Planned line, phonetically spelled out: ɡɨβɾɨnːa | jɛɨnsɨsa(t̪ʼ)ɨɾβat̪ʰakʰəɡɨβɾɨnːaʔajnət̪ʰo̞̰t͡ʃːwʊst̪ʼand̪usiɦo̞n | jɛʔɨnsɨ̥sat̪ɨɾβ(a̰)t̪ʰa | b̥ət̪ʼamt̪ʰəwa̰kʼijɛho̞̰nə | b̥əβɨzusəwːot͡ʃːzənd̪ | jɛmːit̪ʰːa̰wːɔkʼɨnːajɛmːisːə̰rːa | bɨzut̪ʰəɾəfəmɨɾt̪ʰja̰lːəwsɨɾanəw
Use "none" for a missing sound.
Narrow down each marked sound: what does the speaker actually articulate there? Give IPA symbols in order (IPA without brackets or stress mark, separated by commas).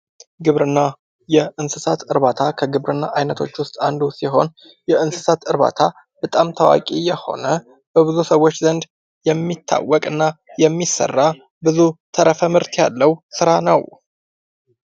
t̪, a̰